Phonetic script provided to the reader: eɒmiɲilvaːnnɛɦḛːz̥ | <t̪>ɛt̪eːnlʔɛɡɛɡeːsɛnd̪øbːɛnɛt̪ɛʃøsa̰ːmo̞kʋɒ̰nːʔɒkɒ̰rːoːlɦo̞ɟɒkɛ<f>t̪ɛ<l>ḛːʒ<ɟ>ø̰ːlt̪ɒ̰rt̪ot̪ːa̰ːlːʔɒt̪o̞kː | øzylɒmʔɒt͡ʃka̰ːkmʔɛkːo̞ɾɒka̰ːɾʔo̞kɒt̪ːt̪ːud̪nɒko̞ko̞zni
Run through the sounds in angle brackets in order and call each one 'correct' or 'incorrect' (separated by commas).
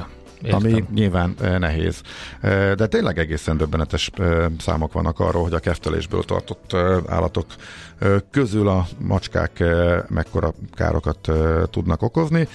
incorrect, correct, correct, incorrect